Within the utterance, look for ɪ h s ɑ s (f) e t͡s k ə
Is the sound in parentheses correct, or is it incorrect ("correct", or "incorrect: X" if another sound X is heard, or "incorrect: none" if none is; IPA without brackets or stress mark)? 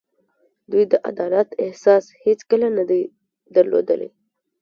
incorrect: h